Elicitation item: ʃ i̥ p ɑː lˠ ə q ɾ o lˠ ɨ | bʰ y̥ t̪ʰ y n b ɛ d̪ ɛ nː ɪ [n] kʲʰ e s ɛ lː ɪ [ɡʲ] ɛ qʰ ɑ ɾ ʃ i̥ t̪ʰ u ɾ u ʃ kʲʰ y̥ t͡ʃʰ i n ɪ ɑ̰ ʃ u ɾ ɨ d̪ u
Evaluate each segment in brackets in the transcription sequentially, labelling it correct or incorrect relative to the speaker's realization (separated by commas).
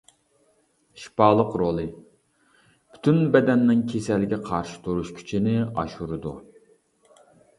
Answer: incorrect, correct